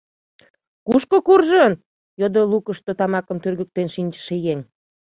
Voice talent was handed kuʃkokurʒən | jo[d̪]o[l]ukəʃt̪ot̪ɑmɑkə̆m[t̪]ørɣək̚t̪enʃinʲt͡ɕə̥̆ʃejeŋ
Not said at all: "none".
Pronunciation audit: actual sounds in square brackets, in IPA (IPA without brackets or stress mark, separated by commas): d̪, l, t̪